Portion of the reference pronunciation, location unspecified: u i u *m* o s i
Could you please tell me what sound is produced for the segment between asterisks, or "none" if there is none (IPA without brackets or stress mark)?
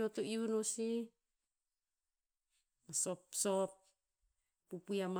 n